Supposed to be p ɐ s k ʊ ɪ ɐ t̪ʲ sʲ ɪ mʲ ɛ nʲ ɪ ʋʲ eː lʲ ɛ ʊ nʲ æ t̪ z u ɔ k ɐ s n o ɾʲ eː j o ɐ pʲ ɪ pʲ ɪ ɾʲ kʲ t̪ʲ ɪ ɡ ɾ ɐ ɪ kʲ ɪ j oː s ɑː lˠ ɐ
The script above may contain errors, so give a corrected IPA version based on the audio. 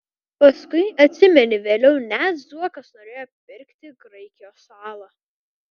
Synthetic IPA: p ɐ s k ʊ ɪ ɐ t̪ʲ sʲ ɪ mʲ ɛ nʲ ɪ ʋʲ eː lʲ ɛ ʊ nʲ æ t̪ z u ɔ k ɐ s n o ɾʲ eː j o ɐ pʲ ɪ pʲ ɪ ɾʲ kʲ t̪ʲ ɪ ɡ ɾ ɐ ɪ kʲ ɪ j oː s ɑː lˠ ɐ

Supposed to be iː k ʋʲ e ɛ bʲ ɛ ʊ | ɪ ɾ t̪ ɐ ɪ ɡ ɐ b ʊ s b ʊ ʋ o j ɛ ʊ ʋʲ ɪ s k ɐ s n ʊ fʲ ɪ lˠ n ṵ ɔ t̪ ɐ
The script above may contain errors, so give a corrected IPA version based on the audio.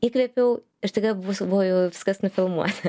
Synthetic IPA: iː k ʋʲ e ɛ pʲ ɛ ʊ | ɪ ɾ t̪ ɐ ɪ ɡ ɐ b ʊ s b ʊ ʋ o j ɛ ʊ ʋʲ ɪ s k ɐ s n ʊ fʲ ɪ lˠ m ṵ ɔ t̪ ɐ

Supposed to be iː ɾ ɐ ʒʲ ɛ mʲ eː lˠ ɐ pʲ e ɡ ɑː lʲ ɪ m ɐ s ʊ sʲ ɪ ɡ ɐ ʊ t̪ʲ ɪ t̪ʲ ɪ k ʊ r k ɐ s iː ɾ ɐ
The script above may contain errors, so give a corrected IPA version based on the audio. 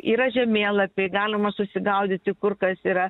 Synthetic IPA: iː ɾ ɐ ʒʲ ɛ mʲ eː lˠ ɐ pʲ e ɡ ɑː lʲ ɪ m ɐ s ʊ sʲ ɪ ɡ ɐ ʊ d̪ʲ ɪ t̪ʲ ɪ k ʊ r k ɐ s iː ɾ ɐ

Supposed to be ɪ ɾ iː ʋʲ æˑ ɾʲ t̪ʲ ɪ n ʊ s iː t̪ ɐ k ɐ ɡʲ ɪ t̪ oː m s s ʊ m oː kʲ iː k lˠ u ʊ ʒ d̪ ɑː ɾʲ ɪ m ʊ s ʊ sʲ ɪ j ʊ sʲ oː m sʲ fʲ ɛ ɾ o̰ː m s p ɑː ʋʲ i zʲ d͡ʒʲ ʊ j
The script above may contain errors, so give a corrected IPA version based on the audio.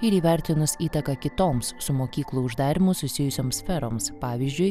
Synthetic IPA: ɪ ɾ iː ʋʲ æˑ ɾʲ t̪ʲ ɪ n ʊ s iː t̪ ɐ k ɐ kʲ ɪ t̪ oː m s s ʊ m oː kʲ iː k lˠ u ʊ ʒ d̪ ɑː ɾʲ ɪ m ʊ s ʊ sʲ ɪ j ʊ sʲ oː m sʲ fʲ ɛ ɾ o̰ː m s p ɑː ʋʲ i zʲ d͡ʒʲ ʊ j

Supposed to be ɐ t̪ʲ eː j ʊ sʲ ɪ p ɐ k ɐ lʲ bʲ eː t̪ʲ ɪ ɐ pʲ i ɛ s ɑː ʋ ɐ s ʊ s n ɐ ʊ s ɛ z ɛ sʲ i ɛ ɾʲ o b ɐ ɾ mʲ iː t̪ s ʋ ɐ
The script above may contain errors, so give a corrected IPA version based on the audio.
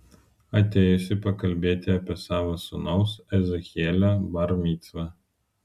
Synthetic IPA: ɐ t̪ʲ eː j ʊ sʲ ɪ p ɐ k ɐ lʲ bʲ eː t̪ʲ ɪ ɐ pʲ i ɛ s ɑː ʋ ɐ s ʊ n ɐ ʊ s ɛ z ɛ xʲ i ɛ lʲ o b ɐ ɾ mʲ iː t̪ s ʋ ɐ

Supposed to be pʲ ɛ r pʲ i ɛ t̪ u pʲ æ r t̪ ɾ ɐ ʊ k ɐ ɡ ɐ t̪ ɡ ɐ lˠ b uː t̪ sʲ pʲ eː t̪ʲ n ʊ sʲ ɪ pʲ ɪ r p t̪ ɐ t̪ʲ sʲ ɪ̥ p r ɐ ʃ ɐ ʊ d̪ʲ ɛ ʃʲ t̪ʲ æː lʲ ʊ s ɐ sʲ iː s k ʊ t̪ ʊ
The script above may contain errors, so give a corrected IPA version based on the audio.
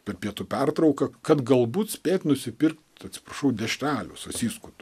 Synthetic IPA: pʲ ɛ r pʲ i ɛ t̪ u pʲ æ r t̪ ɾ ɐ ʊ k ɐ k ɐ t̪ ɡ ɐ lˠ b uː t̪ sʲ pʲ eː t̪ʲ n ʊ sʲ ɪ pʲ ɪ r k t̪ ɐ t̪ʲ sʲ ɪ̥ p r ɐ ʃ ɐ ʊ d̪ʲ ɛ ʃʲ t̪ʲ æː lʲ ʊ s ɐ sʲ iː s k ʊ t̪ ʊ

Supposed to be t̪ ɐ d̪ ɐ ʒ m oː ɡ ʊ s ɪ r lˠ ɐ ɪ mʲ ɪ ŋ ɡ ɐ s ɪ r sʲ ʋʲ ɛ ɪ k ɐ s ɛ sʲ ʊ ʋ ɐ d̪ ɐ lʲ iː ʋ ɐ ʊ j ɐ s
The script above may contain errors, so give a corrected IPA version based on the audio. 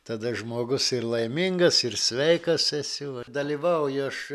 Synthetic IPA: t̪ ɐ d̪ ɐ ʒ m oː ɡ ʊ s ɪ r lˠ ɐ ɪ mʲ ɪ ŋ ɡ ɐ s ɪ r sʲ ʋʲ ɛ ɪ k ɐ s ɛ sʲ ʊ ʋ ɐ d̪ ɐ lʲ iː ʋ ɐ ʊ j ɐ ʃ

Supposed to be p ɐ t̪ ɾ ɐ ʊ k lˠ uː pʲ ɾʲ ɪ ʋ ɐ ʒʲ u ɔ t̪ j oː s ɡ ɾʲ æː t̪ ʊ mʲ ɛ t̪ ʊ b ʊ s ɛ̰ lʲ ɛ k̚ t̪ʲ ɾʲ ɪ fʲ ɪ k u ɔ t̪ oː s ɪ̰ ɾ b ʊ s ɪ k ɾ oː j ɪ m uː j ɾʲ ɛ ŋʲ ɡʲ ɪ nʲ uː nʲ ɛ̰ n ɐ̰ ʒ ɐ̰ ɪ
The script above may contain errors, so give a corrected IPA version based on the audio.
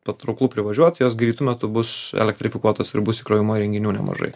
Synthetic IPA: p ɐ t̪ ɾ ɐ ʊ k lˠ uː pʲ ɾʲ ɪ ʋ ɐ ʒʲ u ɔ t̪ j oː s ɡ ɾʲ iː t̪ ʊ mʲ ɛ t̪ ʊ b ʊ s ɛ̰ lʲ ɛ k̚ t̪ʲ ɾʲ ɪ fʲ ɪ k u ɔ t̪ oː s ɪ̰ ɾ b ʊ s ɪ k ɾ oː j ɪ m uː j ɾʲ ɛ ŋʲ ɡʲ ɪ nʲ uː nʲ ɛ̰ m ɐ̰ ʒ ɐ̰ ɪ

